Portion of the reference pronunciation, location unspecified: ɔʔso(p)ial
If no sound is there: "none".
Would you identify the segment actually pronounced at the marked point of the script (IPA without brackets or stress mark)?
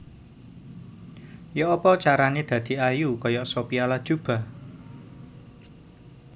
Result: p